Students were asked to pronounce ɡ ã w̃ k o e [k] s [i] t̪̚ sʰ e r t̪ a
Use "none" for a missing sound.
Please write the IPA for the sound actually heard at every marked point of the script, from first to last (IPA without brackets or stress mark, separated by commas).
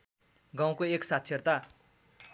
k, a